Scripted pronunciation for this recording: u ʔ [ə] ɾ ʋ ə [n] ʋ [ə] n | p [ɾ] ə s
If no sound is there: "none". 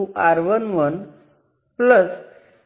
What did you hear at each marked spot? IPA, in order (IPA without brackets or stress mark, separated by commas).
a, n, ə, l